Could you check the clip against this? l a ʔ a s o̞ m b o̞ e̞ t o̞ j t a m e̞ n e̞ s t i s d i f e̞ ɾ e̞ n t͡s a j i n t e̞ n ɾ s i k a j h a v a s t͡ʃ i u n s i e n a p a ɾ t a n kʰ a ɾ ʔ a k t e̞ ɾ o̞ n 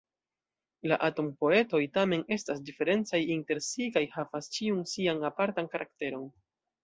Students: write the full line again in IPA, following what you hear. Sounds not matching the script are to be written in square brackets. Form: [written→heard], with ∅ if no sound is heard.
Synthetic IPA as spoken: l a ʔ a [s→t] o̞ m [b→p] o̞ e̞ t o̞ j t a m e̞ n e̞ s t [i→a] s d i f e̞ ɾ e̞ n t͡s a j i n t e̞ [n→∅] ɾ s i k a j h a v a s t͡ʃ i u n s i [e→a] n a p a ɾ t a n [kʰ→k] a ɾ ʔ a k t e̞ ɾ o̞ n